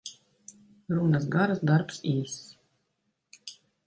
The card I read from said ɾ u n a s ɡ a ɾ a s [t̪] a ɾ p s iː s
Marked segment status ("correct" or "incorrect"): incorrect